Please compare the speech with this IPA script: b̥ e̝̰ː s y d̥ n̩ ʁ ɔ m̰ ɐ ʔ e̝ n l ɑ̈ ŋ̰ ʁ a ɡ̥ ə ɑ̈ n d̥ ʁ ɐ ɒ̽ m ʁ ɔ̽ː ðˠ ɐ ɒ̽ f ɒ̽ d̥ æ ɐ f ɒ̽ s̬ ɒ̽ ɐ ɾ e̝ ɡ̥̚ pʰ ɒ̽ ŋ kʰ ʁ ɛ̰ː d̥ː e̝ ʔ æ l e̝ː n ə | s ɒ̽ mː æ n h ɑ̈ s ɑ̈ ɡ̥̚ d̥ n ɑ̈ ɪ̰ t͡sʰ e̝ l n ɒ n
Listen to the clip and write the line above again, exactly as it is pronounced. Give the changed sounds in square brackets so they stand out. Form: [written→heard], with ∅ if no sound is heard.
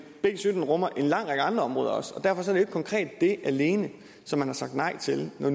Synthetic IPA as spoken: b̥ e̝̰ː s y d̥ n̩ ʁ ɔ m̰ ɐ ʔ e̝ n l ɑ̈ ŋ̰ ʁ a ɡ̥ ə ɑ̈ n d̥ ʁ ɐ ɒ̽ m ʁ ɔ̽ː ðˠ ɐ ɒ̽ [f→s] ɒ̽ d̥ æ ɐ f ɒ̽ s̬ ɒ̽ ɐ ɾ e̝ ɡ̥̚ [pʰ→kʰ] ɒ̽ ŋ kʰ ʁ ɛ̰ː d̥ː e̝ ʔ æ l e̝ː n ə | s ɒ̽ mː æ n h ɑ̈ s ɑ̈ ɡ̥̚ d̥ n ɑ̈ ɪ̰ t͡sʰ e̝ l n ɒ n